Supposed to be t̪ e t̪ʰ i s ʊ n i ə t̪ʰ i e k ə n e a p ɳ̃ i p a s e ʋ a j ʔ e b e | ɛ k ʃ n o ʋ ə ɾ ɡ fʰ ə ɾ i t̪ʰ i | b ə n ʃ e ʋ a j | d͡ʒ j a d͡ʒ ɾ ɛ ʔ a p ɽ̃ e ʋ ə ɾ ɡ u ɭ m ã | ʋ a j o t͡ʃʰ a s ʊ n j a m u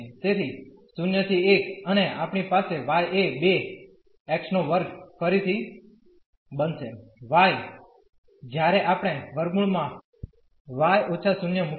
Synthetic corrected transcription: t̪ e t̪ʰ i s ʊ n j ə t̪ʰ i e k ə n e a p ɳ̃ i p a s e ʋ a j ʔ e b e | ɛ k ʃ n o ʋ ə ɾ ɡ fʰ ə ɾ i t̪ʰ i | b ə n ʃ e ʋ a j | d͡ʒ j a ɾ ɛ ʔ a p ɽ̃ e ʋ ə ɾ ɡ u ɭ m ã | ʋ a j o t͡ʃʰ a s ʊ n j ə m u

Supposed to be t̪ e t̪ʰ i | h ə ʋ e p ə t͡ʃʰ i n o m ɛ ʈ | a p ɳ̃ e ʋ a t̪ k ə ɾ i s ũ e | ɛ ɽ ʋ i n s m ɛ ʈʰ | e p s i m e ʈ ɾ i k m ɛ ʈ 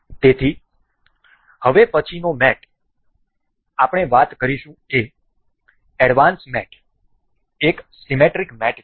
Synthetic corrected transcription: t̪ e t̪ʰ i | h ə ʋ e p ə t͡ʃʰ i n o m ɛ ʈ | a p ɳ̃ e ʋ a t̪ k ə ɾ i ʃ ũ e | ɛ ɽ ʋ a n s m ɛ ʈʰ | e k s i m e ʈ ɾ i k m ɛ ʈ

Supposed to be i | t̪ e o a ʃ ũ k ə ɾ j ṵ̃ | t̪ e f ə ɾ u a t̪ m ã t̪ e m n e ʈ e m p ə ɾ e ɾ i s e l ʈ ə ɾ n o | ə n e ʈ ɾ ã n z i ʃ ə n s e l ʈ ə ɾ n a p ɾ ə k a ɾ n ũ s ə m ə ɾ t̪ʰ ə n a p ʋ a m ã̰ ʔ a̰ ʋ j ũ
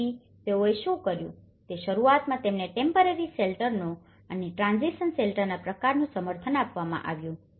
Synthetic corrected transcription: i | t̪ e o e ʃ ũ k ə ɾ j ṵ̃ | t̪ e ʃ ə ɾ u a t̪ m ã t̪ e m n e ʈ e m p ə ɾ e ɾ i s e l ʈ ə ɾ n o | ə n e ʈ ɾ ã n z i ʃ ə n s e l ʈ ə ɾ n a p ɾ ə k a ɾ n ũ s ə m ə ɾ t̪ʰ ə n a p ʋ a m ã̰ ʔ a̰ ʋ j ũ

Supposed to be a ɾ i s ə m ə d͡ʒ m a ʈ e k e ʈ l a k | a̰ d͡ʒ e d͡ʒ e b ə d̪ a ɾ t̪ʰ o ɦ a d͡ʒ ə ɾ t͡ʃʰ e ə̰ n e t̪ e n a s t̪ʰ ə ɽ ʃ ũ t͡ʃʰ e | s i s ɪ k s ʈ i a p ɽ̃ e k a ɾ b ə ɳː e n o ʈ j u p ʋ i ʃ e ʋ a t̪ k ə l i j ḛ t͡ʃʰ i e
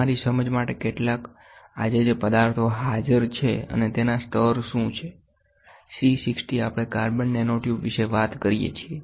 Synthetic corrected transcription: a ɾ i s ə m ə d͡ʒ m a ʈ e k e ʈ l a k | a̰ d͡ʒ e d͡ʒ e p ə d̪ a ɾ t̪ʰ o ɦ a d͡ʒ ə ɾ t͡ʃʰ e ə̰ n e t̪ e n a s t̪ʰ ə ɾ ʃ ũ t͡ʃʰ e | s i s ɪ k s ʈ i a p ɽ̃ e k a ɾ b ə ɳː e n o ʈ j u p ʋ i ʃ e ʋ a t̪ k ə ɾ i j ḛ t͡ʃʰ i e

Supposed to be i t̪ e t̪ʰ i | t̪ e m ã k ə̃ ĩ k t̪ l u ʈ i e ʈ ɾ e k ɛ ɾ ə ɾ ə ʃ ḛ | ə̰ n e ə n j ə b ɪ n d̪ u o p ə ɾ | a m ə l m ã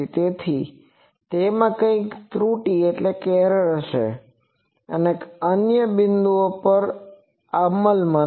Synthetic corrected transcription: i t̪ e t̪ʰ i | t̪ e m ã k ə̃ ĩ k t̪ ɾ u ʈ i e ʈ l e k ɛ ɾ ə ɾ ə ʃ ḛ | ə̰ n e ə n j ə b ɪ n d̪ u o p ə ɾ | a m ə l m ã

